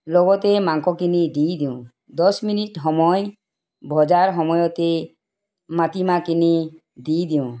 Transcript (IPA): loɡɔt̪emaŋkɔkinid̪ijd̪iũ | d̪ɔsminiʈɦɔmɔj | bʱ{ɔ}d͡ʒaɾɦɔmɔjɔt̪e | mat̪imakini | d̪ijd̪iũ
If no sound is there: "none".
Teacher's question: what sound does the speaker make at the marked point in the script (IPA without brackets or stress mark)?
ɔ